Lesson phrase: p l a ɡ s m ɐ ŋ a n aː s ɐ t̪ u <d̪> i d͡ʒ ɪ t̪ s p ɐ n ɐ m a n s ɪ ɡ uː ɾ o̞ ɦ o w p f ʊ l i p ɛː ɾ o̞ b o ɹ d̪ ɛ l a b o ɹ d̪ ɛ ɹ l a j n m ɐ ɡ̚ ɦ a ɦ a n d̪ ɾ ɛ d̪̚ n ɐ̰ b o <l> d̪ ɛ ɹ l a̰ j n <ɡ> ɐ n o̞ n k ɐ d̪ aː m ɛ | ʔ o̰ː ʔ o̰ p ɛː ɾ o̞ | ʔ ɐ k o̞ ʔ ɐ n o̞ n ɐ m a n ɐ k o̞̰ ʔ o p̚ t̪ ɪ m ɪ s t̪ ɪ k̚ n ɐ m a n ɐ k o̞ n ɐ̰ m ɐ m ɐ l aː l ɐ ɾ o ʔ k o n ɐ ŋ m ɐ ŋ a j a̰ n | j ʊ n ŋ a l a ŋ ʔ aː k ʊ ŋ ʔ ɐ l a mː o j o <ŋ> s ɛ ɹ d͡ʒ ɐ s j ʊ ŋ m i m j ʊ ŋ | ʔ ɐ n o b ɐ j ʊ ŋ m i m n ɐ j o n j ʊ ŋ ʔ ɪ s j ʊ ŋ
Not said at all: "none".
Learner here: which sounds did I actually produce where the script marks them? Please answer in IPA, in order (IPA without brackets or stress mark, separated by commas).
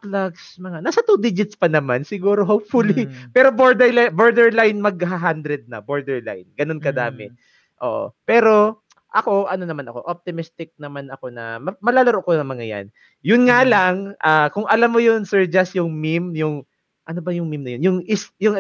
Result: d̪, ɹ, ɡ, n